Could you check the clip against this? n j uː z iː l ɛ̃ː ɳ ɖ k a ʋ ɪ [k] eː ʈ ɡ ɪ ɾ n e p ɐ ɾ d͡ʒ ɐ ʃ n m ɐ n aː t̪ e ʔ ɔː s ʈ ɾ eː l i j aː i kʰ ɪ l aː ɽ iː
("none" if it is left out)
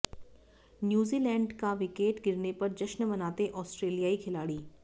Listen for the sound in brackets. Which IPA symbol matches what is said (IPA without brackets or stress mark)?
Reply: k